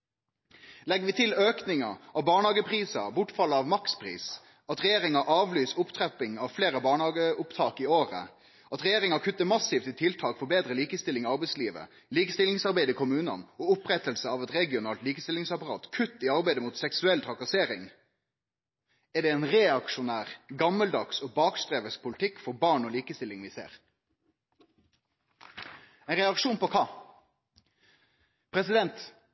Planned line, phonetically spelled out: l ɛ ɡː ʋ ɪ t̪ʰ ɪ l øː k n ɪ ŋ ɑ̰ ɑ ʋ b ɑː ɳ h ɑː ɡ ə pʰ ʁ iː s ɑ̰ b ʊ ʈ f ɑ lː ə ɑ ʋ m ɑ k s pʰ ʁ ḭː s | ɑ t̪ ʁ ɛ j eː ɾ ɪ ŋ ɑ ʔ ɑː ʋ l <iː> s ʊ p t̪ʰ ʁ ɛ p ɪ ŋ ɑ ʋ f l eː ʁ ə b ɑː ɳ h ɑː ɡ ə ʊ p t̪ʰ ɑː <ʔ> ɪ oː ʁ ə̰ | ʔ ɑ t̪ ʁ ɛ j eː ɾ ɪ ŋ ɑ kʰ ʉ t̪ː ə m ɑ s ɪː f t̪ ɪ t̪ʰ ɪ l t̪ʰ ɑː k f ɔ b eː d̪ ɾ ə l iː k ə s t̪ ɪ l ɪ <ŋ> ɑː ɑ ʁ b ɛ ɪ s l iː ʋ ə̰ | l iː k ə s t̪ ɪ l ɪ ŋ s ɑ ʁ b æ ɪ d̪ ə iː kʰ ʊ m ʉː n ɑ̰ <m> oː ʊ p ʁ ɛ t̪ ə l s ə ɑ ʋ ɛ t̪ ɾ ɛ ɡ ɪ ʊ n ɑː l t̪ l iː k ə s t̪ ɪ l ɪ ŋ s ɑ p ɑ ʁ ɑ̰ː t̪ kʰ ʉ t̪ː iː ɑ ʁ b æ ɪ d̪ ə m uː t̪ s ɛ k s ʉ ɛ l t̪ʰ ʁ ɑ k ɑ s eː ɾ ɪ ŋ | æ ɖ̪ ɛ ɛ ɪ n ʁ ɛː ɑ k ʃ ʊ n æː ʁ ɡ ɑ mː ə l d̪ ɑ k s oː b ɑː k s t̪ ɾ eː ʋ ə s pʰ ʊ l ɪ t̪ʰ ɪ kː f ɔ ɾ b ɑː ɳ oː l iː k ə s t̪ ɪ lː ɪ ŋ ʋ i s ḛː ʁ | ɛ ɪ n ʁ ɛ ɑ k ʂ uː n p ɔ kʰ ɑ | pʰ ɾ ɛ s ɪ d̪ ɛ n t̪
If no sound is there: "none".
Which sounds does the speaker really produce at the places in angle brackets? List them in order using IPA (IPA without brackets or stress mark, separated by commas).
yː, k, ŋ, n